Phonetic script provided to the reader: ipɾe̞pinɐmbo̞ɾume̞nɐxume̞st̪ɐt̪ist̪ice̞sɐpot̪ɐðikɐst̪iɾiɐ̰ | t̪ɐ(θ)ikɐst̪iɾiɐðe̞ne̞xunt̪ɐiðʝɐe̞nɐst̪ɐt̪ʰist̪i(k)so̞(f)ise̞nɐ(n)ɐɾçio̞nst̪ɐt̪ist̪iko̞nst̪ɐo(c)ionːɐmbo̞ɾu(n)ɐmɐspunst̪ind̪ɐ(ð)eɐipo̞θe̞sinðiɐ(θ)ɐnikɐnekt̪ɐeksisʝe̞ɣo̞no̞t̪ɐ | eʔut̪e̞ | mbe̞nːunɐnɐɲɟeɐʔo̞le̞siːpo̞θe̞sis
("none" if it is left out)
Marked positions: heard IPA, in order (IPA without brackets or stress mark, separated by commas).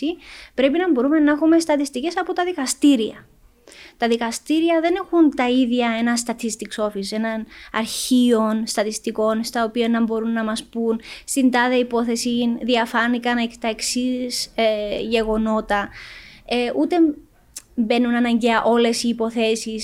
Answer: ð, k, f, n, p, nː, ð, f